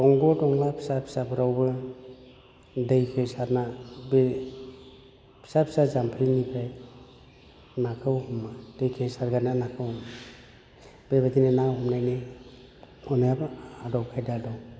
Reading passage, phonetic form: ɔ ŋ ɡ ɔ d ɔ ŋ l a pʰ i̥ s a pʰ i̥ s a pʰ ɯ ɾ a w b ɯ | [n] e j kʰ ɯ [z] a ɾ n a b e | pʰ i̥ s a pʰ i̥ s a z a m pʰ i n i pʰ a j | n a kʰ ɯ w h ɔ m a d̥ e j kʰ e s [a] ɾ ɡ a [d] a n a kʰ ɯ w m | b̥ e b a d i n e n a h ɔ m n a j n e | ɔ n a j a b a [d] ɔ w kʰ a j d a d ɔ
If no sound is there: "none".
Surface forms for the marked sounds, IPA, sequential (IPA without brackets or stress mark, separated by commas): d, s, a, n, d